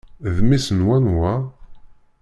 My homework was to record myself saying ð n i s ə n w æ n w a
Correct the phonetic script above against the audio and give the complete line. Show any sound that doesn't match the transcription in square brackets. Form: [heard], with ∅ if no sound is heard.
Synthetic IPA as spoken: ð [m] i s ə n w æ n w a